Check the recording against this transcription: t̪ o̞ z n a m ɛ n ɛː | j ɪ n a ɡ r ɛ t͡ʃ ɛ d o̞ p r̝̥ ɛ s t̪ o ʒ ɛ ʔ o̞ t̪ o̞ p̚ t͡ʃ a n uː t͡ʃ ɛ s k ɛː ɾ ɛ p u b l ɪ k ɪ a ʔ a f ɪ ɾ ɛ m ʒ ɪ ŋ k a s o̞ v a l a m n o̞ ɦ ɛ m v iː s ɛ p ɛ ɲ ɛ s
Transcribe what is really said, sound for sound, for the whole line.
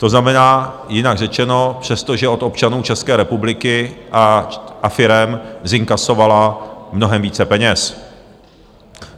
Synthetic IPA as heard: t̪ o̞ z n a m ɛ n aː | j ɪ n a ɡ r ɛ t͡ʃ ɛ n o̞ p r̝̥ ɛ s t̪ o ʒ ɛ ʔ o̞ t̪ o̞ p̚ t͡ʃ a n uː t͡ʃ ɛ s k ɛː ɾ ɛ p u b l ɪ k ɪ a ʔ a f ɪ ɾ ɛ m z ɪ ŋ k a s o̞ v a l a m n o̞ ɦ ɛ m v iː t͡s ɛ p ɛ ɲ ɛ s

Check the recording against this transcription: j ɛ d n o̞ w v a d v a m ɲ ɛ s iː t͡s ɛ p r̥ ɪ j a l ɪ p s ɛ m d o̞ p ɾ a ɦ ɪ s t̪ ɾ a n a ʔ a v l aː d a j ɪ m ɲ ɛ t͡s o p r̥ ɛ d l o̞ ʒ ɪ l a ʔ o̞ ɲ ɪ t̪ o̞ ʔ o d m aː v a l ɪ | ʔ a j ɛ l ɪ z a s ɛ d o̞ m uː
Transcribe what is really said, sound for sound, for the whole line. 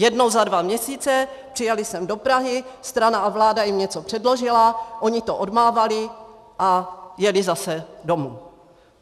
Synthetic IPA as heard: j ɛ d n o̞ w z a d v a m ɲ ɛ s iː t͡s ɛ p r̥ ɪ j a l ɪ s ɛ m d o̞ p ɾ a ɦ ɪ s t̪ ɾ a n a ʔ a v l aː d a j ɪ m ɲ ɛ t͡s o p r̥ ɛ d l o̞ ʒ ɪ l a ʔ o̞ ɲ ɪ t̪ o̞ ʔ o d m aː v a l ɪ | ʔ a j ɛ l ɪ z a s ɛ d o̞ m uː

